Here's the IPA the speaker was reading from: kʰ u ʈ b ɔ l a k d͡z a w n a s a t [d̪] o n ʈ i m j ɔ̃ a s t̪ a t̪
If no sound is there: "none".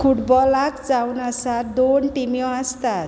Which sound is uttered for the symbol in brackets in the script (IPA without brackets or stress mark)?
d̪